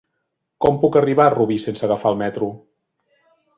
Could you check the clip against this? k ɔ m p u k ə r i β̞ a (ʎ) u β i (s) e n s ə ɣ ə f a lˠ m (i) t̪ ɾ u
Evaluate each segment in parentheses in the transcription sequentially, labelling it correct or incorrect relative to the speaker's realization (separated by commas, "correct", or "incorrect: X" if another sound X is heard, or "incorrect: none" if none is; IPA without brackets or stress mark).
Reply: incorrect: r, correct, incorrect: ɛ